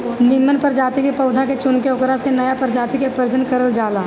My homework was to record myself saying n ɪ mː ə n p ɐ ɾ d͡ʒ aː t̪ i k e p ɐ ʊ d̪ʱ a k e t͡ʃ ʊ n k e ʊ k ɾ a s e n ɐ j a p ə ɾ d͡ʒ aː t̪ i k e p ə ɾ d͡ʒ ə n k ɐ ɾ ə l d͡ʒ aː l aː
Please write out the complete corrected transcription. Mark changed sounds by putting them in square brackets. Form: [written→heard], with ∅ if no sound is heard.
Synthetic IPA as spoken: n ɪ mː ə n p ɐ ɾ d͡ʒ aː t̪ i k e p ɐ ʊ d̪ʱ a k e t͡ʃ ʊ n k e ʊ k ɾ a s e n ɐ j a p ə ɾ d͡ʒ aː t̪ i k e p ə ɾ d͡ʒ ə n k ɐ ɾ ə l d͡ʒ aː l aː